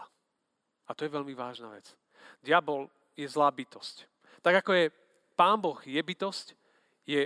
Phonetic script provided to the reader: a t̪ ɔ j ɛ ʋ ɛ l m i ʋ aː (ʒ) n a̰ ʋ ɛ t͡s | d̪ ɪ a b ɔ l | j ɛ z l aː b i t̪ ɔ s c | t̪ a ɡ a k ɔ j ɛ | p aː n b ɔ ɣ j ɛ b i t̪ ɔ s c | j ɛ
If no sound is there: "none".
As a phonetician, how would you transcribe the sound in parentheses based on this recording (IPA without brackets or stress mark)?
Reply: ʒ